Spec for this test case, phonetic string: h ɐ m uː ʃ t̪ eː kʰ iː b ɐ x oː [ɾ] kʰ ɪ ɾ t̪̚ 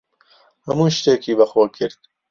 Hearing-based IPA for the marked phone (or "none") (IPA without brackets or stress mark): none